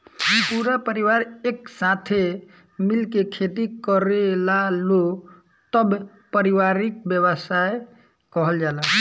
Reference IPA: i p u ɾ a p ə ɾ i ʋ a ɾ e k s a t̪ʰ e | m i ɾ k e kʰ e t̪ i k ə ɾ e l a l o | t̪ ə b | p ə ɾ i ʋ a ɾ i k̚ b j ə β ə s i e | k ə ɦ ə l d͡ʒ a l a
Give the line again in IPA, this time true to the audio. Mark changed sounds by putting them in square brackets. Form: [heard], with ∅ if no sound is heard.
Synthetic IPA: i p u ɾ a p ə ɾ i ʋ a ɾ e k s a t̪ʰ e | m i [l] k e kʰ e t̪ i k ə ɾ e l a l o | t̪ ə b | p ə ɾ i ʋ a ɾ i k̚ b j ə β ə s [a] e | k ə ɦ ə l d͡ʒ a l a